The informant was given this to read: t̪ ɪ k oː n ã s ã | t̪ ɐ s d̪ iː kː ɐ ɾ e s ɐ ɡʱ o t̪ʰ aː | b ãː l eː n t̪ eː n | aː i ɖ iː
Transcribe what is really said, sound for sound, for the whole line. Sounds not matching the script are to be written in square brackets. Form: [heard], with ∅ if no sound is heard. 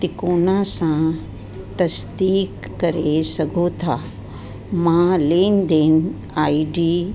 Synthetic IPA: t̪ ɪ k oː n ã s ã | t̪ ɐ s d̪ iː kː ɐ ɾ e s ɐ ɡʱ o t̪ʰ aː | [m] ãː l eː n [d̪] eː n | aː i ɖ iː